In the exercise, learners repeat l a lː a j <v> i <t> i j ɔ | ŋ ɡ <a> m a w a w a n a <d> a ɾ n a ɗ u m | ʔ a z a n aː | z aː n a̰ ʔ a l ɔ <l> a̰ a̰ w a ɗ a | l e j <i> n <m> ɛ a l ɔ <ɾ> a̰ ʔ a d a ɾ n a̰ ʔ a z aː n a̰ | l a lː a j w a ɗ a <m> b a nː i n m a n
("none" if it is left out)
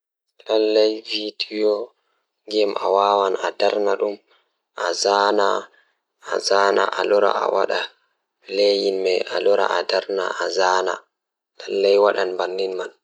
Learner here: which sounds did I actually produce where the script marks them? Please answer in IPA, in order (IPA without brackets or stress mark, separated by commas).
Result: v, d, ɛ, d, ɾ, i, m, ɾ, n